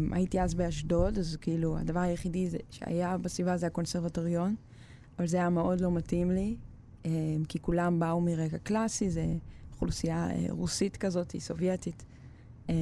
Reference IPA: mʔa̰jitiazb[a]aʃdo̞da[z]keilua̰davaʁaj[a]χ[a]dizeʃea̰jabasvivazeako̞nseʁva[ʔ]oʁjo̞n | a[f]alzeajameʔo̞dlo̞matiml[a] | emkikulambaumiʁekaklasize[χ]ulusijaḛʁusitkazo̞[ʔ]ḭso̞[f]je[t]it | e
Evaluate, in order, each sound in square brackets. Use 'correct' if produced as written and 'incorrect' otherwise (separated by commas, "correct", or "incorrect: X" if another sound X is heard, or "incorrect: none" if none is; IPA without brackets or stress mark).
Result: incorrect: e, correct, incorrect: e, incorrect: i, incorrect: t, incorrect: v, incorrect: i, correct, incorrect: t, incorrect: v, correct